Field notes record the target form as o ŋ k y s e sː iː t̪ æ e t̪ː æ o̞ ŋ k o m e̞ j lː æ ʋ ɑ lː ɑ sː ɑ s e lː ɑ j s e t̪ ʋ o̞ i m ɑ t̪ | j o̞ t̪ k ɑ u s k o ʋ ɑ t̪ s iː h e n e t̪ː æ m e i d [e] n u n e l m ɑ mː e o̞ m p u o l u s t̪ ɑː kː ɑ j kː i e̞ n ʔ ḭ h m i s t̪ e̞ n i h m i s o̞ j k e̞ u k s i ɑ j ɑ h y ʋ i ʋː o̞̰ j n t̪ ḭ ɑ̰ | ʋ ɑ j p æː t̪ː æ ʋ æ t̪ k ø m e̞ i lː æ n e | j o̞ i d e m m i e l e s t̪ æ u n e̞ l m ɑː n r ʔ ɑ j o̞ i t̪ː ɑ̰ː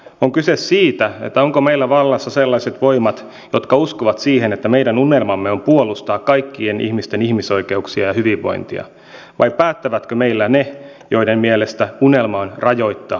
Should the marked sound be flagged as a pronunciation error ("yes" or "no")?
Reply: yes